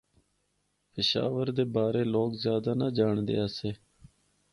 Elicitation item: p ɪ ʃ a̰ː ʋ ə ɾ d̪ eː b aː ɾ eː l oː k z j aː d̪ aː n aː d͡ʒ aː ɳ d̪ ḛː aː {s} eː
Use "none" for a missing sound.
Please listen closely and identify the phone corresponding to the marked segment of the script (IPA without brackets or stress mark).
s